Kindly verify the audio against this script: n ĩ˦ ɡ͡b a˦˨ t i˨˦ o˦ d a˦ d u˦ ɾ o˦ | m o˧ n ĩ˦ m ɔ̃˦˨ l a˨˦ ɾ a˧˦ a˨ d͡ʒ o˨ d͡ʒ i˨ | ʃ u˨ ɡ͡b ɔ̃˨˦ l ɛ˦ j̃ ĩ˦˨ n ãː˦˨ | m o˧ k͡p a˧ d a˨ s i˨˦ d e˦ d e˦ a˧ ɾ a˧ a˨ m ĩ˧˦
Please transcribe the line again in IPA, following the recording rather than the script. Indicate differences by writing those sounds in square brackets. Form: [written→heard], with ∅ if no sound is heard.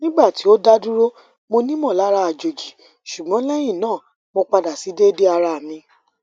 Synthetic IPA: n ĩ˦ ɡ͡b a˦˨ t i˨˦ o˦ d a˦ d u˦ ɾ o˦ | m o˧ n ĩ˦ m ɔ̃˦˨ l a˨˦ ɾ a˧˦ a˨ d͡ʒ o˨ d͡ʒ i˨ | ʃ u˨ ɡ͡b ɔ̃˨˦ l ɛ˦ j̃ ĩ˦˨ n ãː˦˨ | m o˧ k͡p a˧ d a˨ s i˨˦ d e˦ d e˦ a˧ ɾ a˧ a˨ m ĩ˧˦